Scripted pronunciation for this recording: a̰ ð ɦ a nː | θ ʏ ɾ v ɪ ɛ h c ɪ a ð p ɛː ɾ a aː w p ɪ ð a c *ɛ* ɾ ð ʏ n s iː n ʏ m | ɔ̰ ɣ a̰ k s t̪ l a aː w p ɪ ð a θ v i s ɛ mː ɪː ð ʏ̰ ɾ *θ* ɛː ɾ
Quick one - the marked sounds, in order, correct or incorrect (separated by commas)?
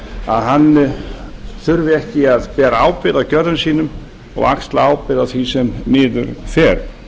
incorrect, incorrect